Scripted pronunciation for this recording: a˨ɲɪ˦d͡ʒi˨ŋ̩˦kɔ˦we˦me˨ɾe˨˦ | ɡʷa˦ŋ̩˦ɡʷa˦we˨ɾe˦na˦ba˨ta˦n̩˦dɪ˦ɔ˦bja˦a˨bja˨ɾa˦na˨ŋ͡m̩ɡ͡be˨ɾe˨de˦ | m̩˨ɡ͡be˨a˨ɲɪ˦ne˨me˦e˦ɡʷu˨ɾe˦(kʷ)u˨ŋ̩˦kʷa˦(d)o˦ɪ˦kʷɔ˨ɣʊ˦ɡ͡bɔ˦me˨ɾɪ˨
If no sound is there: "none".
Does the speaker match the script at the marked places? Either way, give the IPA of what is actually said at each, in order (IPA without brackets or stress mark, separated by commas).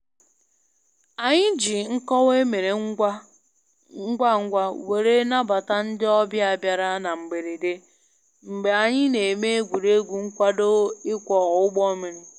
ɡʷ, d